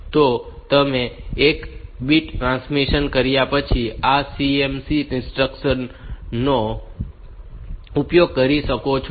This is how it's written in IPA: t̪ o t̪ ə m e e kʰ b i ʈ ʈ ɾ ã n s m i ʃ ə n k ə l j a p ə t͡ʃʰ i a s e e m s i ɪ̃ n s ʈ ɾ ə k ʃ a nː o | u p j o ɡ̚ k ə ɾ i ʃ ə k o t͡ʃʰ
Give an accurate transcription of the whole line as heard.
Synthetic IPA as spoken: t̪ o t̪ ə m e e k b i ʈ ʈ ɾ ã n s m i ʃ ə n k ə ɾ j a p ə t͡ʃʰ i a s i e m s i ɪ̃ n s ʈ ɾ ə k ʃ ə nː o | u p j o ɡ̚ k ə ɾ i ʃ ə k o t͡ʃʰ

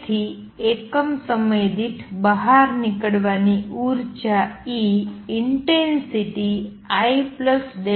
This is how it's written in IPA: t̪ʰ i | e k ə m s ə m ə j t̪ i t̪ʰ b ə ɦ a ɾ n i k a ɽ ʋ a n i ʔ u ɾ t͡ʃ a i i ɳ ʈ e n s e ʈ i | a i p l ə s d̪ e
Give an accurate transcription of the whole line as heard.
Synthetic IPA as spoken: t̪ʰ i | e k ə m s ə m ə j d̪ i t̪ʰ b ə ɦ a ɾ n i k ə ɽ ʋ a n i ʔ u ɾ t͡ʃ a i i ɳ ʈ e n s i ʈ i | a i p l ə s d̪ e

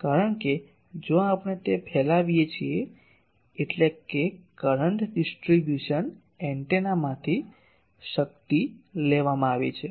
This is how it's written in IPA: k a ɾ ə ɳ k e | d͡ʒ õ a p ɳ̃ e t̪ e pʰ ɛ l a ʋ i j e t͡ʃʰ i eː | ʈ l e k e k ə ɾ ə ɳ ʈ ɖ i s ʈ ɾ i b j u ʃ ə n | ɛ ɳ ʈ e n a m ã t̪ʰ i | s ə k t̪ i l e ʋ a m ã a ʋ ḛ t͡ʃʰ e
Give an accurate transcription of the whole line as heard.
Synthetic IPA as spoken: k a ɾ ə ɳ k e | d͡ʒ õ a p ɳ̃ e t̪ e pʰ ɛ l a ʋ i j e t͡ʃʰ i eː | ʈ l e k e k ə ɾ ə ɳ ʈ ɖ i s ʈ ɾ i b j u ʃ ə n | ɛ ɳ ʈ e n a m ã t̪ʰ i | ʃ ə k t̪ i l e ʋ a m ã a ʋ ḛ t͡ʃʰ e

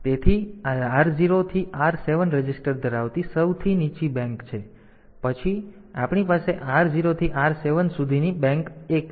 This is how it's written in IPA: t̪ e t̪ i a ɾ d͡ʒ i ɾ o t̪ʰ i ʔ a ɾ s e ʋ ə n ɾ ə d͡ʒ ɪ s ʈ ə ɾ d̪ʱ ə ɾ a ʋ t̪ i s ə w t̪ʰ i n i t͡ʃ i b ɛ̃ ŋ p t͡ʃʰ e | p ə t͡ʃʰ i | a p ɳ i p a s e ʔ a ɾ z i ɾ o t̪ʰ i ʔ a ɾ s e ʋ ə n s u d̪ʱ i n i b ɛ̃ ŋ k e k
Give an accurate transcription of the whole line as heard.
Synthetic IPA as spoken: t̪ e t̪ʰ i a ɾ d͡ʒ i ɾ o t̪ʰ i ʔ a ɾ s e ʋ ə n ɾ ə d͡ʒ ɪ s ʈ ə ɾ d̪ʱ ə ɾ a ʋ t̪ i s ə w t̪ʰ i n i t͡ʃ i b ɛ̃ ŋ k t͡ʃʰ e | p ə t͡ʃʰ i | a p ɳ i p a s e ʔ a ɾ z i ɾ o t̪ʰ i ʔ a ɾ s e ʋ ə n s u d̪ʱ i n i b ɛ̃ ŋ k e k

